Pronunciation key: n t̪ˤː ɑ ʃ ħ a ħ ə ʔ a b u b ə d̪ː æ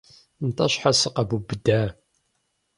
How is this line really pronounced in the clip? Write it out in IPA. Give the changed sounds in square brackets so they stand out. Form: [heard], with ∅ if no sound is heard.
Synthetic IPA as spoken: n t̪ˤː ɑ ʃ ħ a [s] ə [q] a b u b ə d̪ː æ